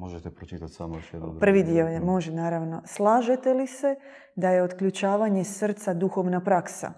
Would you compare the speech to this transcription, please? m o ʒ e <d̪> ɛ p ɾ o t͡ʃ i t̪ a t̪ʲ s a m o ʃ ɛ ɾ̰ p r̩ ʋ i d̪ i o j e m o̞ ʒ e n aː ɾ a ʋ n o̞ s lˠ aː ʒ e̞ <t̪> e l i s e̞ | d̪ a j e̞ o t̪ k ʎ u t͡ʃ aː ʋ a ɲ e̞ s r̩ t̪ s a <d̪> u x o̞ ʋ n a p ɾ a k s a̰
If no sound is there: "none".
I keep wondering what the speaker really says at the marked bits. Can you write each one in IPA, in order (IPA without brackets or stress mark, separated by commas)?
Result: t̪, t̪, d̪